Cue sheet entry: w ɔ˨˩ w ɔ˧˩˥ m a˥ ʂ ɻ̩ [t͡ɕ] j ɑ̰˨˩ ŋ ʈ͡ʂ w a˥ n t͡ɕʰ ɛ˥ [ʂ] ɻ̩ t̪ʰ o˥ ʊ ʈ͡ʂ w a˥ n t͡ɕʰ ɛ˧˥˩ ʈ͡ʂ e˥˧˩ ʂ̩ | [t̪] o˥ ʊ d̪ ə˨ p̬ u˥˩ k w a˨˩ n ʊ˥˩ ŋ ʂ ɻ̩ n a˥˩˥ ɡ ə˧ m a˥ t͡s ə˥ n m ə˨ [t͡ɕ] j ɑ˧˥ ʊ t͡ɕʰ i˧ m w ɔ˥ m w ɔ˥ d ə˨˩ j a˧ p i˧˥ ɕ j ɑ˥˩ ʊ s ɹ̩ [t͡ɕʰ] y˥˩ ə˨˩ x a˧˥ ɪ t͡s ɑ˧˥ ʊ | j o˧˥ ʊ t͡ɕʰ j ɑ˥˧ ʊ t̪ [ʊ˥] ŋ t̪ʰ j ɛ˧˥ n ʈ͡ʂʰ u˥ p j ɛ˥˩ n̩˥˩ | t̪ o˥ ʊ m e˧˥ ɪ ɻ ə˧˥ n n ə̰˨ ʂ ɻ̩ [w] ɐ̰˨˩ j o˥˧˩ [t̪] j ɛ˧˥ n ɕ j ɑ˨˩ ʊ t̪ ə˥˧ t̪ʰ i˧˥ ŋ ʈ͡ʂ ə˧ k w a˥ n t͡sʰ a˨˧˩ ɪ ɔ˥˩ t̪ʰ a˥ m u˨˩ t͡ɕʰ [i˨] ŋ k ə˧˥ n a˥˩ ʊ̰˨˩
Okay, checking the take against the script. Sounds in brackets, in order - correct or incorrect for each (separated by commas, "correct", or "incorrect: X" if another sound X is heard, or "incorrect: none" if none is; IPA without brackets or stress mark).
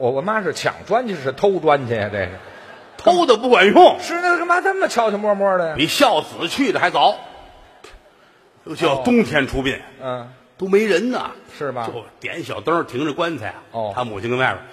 incorrect: t͡ɕʰ, correct, incorrect: t̪ʰ, incorrect: t͡ɕʰ, correct, correct, incorrect: b, correct, incorrect: i˥